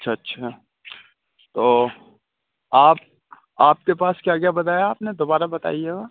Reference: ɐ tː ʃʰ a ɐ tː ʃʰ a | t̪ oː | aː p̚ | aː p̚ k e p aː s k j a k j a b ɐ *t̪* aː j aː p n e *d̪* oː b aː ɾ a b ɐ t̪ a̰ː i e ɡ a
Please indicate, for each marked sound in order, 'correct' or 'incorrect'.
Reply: correct, correct

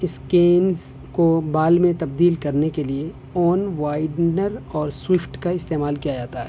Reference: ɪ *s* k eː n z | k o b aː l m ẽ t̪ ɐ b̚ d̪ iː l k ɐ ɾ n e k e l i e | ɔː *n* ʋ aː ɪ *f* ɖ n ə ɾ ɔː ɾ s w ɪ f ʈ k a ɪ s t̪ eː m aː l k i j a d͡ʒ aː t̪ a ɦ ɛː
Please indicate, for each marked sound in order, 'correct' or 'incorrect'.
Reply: correct, correct, incorrect: none

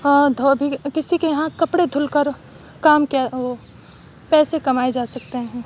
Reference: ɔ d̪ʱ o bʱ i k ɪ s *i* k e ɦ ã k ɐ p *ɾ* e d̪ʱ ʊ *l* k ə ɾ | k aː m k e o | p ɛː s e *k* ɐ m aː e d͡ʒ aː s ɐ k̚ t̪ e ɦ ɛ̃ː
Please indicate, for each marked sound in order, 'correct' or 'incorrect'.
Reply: correct, incorrect: ɽ, correct, correct

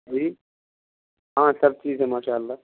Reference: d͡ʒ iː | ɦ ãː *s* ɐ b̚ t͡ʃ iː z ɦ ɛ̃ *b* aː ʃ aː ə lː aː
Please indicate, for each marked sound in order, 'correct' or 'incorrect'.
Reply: correct, incorrect: m

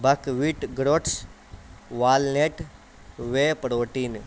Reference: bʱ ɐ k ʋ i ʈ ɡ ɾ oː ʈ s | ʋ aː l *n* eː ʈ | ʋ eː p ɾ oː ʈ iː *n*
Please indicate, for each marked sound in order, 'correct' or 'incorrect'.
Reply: correct, correct

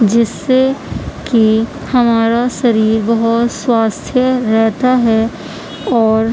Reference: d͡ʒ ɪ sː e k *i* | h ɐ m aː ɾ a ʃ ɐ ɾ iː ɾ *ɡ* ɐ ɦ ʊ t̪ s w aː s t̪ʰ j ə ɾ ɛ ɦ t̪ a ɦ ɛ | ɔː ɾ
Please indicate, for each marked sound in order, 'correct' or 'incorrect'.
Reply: correct, incorrect: b

